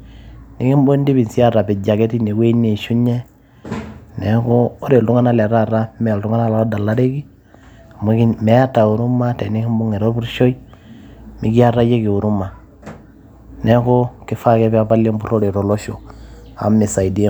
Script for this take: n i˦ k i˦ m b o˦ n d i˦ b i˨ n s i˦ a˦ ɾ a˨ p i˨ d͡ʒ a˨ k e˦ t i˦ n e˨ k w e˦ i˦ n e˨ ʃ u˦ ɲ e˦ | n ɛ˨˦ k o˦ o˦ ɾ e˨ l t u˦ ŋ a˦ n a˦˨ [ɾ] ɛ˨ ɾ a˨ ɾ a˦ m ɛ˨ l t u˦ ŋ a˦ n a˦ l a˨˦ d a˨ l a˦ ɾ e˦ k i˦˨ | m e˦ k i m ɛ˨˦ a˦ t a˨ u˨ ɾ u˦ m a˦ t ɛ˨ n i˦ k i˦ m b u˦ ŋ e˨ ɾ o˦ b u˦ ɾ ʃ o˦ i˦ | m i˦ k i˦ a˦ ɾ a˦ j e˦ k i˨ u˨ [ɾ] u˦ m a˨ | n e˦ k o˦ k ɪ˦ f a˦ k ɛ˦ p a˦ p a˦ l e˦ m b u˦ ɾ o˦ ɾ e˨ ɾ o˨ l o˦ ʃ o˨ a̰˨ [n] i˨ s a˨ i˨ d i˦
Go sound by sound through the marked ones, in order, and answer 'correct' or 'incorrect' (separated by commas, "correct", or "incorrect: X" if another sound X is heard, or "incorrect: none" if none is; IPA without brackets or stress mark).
incorrect: l, correct, incorrect: m